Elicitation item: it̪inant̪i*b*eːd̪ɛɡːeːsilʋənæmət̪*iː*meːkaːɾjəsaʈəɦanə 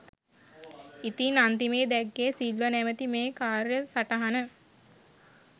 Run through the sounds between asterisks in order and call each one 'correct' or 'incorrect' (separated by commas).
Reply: incorrect, incorrect